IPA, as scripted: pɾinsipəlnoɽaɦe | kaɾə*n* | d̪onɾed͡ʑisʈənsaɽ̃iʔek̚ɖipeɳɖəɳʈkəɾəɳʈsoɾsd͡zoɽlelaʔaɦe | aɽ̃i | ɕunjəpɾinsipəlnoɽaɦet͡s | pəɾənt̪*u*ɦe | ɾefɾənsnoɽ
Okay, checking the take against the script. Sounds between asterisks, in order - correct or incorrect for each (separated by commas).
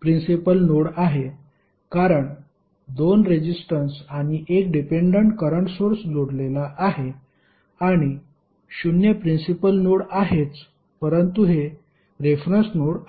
incorrect, correct